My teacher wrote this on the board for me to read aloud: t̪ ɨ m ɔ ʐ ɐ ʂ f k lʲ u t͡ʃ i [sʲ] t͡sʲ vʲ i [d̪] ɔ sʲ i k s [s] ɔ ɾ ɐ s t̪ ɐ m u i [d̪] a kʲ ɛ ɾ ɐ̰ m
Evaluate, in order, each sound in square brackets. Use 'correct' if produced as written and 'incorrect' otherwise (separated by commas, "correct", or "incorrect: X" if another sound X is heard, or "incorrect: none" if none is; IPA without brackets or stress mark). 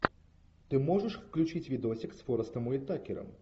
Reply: incorrect: none, correct, incorrect: f, incorrect: t̪